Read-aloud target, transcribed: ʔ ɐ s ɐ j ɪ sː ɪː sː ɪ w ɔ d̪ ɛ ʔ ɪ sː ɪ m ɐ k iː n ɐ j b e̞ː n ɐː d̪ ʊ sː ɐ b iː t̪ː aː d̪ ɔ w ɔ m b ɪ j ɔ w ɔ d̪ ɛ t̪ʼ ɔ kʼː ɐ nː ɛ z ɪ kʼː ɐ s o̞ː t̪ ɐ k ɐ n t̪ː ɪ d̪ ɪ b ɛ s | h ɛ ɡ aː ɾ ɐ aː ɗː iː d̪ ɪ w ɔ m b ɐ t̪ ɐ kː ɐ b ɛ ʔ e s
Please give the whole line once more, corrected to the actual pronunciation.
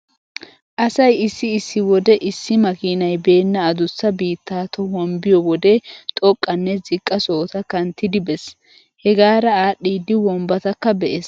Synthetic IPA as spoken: ʔ ɐ s ɐ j ɪ sː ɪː sː ɪ w ɔ d̪ ɛ ʔ ɪ sː ɪ m ɐ k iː n ɐ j b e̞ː nː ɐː d̪ ʊ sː ɐ b iː t̪ː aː t̪ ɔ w ɔ m b ɪ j ɔ w ɔ d̪ ɛ t̪ʼ ɔ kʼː ɐ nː ɛ z ɪ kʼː ɐ s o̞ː t̪ ɐ k ɐ n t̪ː ɪ d̪ ɪ b ɛ s | h ɛ ɡ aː ɾ ɐ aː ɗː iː d̪ ɪ w ɔ m b ɐ t̪ ɐ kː ɐ b ɛ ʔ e s

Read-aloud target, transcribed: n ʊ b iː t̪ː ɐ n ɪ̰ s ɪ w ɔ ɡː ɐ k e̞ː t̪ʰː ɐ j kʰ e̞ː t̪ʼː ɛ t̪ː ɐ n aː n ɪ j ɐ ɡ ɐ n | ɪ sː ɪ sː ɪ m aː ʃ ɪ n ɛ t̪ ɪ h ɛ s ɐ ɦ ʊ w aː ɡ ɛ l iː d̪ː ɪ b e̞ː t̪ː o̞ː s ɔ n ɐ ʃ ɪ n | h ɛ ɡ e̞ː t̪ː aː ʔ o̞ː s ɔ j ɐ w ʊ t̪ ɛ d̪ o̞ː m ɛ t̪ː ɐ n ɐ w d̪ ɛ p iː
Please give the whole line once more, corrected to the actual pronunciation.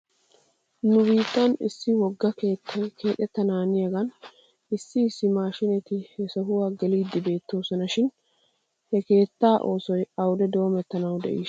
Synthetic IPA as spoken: n ʊ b iː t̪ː ɐ n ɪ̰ sː ɪ w ɔ ɡː ɐ k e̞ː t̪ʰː ɐ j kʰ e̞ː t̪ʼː ɛ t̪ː ɐ n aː n ɪ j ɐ ɡ ɐ n | ɪ sː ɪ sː ɪ m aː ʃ ɪ n ɛ t̪ ɪ h ɛ s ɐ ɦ ʊ w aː ɡ ɛ l iː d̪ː ɪ b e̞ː t̪ː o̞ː s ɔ n ɐ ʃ ɪ n | h ɛ k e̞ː t̪ː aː ʔ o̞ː s ɔ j ɐ w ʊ d̪ ɛ d̪ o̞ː m ɛ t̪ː ɐ n ɐ w d̪ ɛ ʔ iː

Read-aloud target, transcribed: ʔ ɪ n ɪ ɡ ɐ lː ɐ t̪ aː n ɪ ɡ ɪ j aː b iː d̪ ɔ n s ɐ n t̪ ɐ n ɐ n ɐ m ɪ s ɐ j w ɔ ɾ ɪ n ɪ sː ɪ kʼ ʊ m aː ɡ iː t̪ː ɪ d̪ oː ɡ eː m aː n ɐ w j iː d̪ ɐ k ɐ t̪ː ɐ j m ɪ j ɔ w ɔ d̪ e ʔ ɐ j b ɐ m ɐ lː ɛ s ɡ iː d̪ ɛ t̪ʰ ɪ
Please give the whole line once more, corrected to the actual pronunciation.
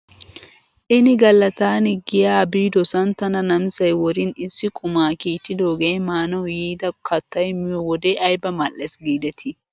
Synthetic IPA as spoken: ʔ ɪ n ɪ ɡ ɐ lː ɐ t̪ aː n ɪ ɡ ɪ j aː b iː d̪ ɔ s ɐ n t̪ ɐ n ɐ n ɐ m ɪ s ɐ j w ɔ ɾ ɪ n ɪ sː ɪ kʼ ʊ m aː k iː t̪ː ɪ d̪ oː ɡ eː m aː n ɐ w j iː d̪ ɐ k ɐ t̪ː ɐ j m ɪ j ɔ w ɔ d̪ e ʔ ɐ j b ɐ m ɐ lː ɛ s ɡ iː d̪ ɛ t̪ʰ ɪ

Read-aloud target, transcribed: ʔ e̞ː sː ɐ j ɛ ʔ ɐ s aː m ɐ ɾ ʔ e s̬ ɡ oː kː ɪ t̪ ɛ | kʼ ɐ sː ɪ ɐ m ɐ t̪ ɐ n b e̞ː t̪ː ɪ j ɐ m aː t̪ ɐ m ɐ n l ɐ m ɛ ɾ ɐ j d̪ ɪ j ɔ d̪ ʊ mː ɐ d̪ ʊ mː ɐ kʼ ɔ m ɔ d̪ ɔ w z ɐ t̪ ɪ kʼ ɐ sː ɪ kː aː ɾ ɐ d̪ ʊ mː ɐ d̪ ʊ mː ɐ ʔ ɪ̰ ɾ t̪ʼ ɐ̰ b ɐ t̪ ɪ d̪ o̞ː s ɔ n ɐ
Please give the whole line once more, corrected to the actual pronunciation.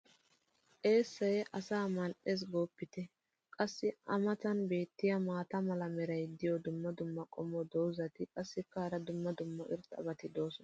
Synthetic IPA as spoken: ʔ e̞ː sː ɐ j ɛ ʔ ɐ s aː m ɐ l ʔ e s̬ ɡ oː pː ɪ t̪ ɛ | kʼ ɐ sː ɪ ɐ m ɐ t̪ ɐ n b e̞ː t̪ː ɪ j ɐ m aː t̪ ɐ m ɐ l ɐ m ɛ ɾ ɐ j d̪ ɪ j ɔ d̪ ʊ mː ɐ d̪ ʊ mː ɐ kʼ ɔ m ɔ d̪ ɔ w z ɐ t̪ ɪ kʼ ɐ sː ɪ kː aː ɾ ɐ d̪ ʊ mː ɐ d̪ ʊ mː ɐ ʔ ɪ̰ ɾ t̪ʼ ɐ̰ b ɐ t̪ ɪ d̪ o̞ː s ɔ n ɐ

